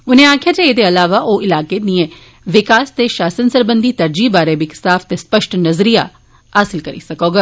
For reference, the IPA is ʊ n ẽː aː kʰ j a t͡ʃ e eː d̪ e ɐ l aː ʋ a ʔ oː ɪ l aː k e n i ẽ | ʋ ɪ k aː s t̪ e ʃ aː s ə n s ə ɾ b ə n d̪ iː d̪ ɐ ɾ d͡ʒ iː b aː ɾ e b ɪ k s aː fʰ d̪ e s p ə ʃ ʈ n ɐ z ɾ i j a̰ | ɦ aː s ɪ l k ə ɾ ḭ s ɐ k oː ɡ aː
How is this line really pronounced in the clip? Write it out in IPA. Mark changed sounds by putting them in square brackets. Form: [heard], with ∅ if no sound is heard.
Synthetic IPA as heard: ʊ n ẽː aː kʰ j a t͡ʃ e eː d̪ e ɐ l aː ʋ a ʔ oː ɪ l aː k e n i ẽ | ʋ ɪ k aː s t̪ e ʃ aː s ə n s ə ɾ b ə n d̪ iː [t̪] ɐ ɾ d͡ʒ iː b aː ɾ e b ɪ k s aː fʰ [t̪] e s p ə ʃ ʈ n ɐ z ɾ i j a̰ | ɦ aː s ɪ l k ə ɾ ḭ s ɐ k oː ɡ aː